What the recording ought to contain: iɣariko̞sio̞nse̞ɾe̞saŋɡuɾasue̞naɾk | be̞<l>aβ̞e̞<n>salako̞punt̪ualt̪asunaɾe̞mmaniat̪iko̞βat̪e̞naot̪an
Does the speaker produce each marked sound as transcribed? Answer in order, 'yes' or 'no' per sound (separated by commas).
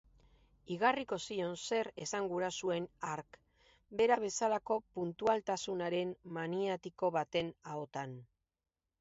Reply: no, no